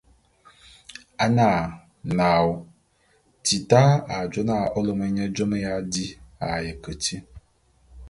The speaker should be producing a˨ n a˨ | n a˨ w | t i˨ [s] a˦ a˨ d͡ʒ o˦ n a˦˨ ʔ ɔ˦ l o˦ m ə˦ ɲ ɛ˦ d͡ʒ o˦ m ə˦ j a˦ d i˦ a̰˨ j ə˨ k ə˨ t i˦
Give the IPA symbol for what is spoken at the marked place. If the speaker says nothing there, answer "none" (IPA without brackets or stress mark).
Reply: t